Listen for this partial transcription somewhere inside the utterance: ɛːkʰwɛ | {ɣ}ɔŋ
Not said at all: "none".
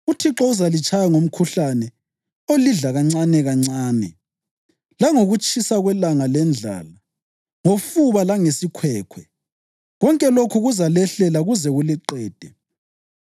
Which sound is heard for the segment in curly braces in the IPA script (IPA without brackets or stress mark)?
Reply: ɣ